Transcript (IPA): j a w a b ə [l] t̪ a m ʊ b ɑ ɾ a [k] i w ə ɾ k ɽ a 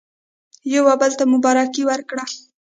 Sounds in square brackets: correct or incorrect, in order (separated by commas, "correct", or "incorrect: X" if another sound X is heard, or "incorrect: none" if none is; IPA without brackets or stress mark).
correct, correct